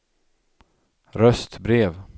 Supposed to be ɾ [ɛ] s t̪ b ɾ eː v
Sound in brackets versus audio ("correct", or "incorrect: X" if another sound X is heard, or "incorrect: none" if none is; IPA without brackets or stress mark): incorrect: œ